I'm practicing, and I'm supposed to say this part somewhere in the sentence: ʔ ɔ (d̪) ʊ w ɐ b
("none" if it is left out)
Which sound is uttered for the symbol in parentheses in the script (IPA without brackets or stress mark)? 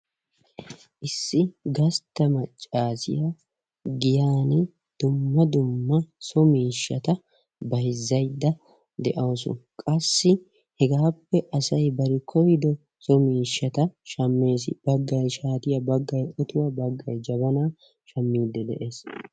t̪